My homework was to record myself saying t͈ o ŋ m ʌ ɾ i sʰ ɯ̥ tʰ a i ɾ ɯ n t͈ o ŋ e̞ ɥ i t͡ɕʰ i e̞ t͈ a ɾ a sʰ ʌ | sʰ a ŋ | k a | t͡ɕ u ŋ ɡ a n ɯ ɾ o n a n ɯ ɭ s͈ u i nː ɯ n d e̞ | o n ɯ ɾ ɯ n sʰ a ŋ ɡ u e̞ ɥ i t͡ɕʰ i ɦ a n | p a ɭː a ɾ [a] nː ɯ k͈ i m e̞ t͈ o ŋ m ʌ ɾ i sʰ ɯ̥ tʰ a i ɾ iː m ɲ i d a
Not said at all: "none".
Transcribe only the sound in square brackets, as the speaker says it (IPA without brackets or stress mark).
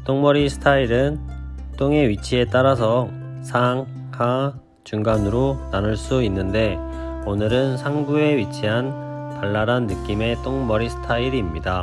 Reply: a